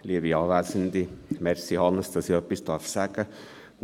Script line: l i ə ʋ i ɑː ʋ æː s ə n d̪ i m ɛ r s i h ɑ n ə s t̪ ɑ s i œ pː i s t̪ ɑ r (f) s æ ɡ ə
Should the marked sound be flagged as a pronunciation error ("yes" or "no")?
no